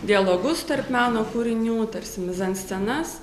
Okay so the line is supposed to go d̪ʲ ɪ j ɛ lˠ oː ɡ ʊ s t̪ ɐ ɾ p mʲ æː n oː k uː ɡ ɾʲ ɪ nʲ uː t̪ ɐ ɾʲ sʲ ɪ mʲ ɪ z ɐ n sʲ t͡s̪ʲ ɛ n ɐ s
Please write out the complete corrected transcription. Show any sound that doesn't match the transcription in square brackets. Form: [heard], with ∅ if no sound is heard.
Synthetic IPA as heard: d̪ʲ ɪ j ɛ lˠ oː ɡ ʊ s t̪ ɐ ɾ p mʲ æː n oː k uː [∅] ɾʲ ɪ nʲ uː t̪ ɐ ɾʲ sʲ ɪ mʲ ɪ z ɐ n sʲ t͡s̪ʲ ɛ n ɐ s